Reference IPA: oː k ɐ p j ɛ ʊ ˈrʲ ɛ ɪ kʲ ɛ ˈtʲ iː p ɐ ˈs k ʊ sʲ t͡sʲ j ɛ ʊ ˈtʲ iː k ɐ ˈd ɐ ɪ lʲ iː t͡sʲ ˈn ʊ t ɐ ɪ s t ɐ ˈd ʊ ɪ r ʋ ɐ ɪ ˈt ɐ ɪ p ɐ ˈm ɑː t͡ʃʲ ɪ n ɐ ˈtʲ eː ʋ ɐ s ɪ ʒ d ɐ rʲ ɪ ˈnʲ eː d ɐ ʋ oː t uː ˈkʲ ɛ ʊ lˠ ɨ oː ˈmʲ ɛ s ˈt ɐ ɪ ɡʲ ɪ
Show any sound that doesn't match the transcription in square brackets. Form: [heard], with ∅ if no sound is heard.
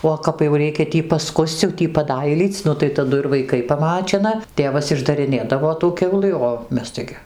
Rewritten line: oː k ɐ p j ɛ ʊ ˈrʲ ɛ ɪ kʲ ɛ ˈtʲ iː p ɐ ˈs k ʊ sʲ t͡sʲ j ɛ ʊ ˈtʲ iː [p] ɐ ˈd ɐ ɪ lʲ iː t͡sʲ ˈn ʊ t ɐ ɪ [∅] t ɐ ˈd ʊ ɪ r ʋ ɐ ɪ [ˈk] ɐ ɪ p ɐ ˈm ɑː t͡ʃʲ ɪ n ɐ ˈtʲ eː ʋ ɐ s ɪ ʒ d ɐ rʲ ɪ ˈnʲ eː d ɐ ʋ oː t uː ˈkʲ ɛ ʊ lˠ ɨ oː ˈmʲ ɛ s ˈt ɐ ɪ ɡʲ ɪ

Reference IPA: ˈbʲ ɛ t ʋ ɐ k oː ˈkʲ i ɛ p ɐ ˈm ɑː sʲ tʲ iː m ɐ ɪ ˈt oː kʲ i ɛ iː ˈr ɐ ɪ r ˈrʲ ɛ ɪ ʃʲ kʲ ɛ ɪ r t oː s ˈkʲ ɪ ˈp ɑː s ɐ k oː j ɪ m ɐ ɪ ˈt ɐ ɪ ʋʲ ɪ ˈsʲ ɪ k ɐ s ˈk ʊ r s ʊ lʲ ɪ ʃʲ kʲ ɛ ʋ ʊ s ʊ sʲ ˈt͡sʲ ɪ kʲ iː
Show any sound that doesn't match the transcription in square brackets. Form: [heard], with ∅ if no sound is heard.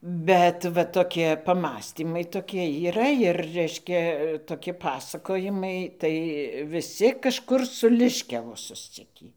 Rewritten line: ˈbʲ ɛ t ʋ ɐ [t] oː ˈkʲ i ɛ p ɐ ˈm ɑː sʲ tʲ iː m ɐ ɪ ˈt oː kʲ i ɛ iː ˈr ɐ ɪ r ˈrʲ ɛ ɪ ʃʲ kʲ ɛ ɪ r t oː [∅] ˈkʲ ɪ ˈp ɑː s ɐ k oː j ɪ m ɐ ɪ ˈt ɐ ɪ ʋʲ ɪ ˈsʲ ɪ k ɐ [ʃ] ˈk ʊ r s ʊ lʲ ɪ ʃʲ kʲ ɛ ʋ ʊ s ʊ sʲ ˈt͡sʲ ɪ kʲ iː

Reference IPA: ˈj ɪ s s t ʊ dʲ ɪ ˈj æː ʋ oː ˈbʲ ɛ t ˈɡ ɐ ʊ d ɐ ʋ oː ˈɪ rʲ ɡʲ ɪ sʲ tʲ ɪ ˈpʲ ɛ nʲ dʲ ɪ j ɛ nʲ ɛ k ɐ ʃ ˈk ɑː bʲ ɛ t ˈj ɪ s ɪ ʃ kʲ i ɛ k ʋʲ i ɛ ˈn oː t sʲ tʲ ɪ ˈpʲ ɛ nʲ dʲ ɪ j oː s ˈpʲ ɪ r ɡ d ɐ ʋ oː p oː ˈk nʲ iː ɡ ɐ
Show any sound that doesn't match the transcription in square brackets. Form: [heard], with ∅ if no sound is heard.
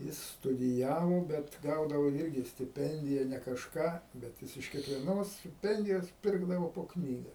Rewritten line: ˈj ɪ s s t ʊ dʲ ɪ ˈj æː ʋ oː ˈbʲ ɛ t ˈɡ ɐ ʊ d ɐ ʋ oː ˈɪ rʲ ɡʲ ɪ sʲ tʲ ɪ ˈpʲ ɛ nʲ dʲ ɪ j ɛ nʲ ɛ k ɐ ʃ ˈk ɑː bʲ ɛ t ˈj ɪ s ɪ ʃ kʲ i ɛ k ʋʲ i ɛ ˈn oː [s] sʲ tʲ ɪ ˈpʲ ɛ nʲ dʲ ɪ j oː s ˈpʲ ɪ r ɡ d ɐ ʋ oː p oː ˈk nʲ iː ɡ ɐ

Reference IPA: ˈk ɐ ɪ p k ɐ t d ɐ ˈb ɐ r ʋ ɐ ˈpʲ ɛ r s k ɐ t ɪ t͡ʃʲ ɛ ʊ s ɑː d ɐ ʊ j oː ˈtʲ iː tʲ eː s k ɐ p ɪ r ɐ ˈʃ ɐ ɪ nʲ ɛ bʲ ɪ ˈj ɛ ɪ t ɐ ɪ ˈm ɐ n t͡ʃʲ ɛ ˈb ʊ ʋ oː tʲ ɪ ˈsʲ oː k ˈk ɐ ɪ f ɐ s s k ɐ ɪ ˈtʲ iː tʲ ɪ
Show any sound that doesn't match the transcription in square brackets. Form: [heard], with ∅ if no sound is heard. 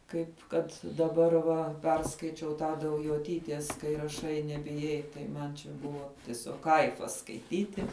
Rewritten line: ˈk ɐ ɪ p k ɐ t d ɐ ˈb ɐ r ʋ ɐ ˈpʲ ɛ r s k ɐ [∅] ɪ t͡ʃʲ ɛ ʊ [t] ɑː d ɐ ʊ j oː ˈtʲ iː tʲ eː s k ɐ [∅] ɪ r ɐ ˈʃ ɐ ɪ nʲ ɛ bʲ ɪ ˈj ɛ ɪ t ɐ ɪ ˈm ɐ n t͡ʃʲ ɛ ˈb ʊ ʋ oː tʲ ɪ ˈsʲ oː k ˈk ɐ ɪ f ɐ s s k ɐ ɪ ˈtʲ iː tʲ ɪ

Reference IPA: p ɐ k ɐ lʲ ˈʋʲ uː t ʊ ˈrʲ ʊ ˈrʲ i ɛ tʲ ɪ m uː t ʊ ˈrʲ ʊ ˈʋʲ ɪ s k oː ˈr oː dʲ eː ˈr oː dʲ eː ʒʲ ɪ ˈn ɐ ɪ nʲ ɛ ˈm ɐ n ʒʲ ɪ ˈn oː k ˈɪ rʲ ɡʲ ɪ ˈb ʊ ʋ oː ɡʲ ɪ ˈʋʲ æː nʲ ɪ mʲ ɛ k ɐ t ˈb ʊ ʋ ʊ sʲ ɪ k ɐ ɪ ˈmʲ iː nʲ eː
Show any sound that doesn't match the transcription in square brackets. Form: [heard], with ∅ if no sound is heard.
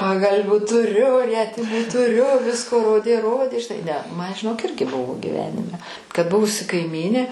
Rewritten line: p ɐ [ɡ] ɐ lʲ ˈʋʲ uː t ʊ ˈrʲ ʊ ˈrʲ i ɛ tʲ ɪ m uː t ʊ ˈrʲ ʊ ˈʋʲ ɪ s k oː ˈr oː dʲ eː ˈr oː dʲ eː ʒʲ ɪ ˈn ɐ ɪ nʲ ɛ ˈm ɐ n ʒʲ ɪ ˈn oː k ˈɪ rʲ ɡʲ ɪ ˈb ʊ ʋ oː ɡʲ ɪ ˈʋʲ æː nʲ ɪ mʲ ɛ k ɐ t ˈb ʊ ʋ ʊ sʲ ɪ k ɐ ɪ ˈmʲ iː nʲ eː

